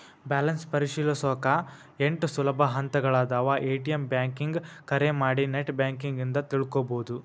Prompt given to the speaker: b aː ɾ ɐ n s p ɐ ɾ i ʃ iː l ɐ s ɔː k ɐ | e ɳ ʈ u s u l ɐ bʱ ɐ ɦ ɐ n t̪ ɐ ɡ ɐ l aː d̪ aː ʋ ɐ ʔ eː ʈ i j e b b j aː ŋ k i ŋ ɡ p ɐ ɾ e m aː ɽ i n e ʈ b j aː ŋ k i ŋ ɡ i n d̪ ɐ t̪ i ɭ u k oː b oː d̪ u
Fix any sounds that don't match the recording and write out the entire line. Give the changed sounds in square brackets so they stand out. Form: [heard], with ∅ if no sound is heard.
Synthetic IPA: b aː [l] ɐ n s p ɐ ɾ i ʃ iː l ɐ s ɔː k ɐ | e ɳ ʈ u s u l ɐ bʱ ɐ ɦ ɐ n t̪ ɐ ɡ ɐ [ɭ] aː d̪ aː ʋ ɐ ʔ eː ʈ i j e [m] b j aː ŋ k i ŋ ɡ [k] ɐ ɾ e m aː ɽ i n e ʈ b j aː ŋ k i ŋ ɡ i n d̪ ɐ t̪ i ɭ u k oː b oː d̪ u